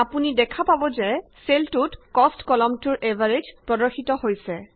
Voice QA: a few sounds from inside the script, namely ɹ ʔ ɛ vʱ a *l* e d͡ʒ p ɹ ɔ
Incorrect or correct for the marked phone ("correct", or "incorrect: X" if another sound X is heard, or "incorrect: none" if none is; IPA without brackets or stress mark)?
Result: incorrect: ɹ